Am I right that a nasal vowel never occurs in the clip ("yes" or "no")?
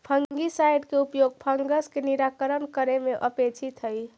yes